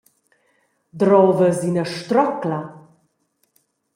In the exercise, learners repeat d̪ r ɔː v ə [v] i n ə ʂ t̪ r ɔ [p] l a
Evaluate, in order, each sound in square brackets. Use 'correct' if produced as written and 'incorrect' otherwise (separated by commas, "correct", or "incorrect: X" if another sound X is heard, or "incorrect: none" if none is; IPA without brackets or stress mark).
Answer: incorrect: z, incorrect: k